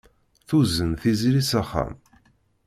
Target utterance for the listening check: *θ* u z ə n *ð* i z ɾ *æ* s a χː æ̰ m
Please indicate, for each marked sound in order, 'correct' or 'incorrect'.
correct, incorrect, incorrect

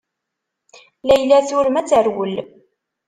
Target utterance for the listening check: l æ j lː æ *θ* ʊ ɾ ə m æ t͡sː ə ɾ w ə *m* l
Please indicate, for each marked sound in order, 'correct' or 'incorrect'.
correct, incorrect

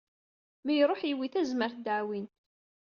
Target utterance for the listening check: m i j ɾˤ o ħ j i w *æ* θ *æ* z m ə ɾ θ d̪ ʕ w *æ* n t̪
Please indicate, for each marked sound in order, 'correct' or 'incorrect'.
incorrect, correct, incorrect

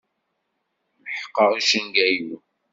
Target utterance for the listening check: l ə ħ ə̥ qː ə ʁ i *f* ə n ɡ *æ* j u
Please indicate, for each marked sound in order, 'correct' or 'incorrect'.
incorrect, correct

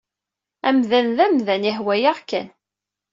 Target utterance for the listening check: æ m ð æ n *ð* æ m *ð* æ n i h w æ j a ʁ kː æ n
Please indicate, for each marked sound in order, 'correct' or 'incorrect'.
correct, correct

